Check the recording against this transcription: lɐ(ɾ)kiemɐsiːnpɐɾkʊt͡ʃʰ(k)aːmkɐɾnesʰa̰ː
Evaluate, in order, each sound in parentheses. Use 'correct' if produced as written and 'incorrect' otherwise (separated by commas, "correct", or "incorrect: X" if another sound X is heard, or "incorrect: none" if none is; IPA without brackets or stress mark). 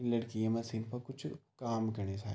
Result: incorrect: ɽ, correct